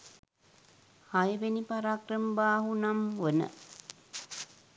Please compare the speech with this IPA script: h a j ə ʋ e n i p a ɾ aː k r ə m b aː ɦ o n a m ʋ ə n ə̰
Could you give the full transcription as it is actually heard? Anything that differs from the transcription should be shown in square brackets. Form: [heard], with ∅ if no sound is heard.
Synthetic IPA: h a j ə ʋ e n i p a ɾ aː k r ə m b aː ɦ [u] n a m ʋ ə n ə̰